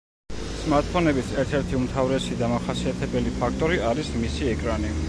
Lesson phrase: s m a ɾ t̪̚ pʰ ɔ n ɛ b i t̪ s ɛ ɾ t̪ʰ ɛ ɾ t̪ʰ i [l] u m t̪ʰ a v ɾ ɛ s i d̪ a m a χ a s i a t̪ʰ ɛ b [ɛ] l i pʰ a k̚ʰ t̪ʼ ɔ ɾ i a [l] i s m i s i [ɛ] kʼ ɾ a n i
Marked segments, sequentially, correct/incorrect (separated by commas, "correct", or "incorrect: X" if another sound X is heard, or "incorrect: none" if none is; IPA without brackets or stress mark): incorrect: none, correct, incorrect: ɾ, correct